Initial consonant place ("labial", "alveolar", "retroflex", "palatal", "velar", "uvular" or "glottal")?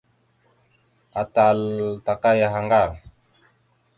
alveolar